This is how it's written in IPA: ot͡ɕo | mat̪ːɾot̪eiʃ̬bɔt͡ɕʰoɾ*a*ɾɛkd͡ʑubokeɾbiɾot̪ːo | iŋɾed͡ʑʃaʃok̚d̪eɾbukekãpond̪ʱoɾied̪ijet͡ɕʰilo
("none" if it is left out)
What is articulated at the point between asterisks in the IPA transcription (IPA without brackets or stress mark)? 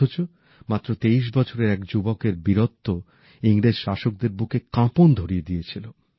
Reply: e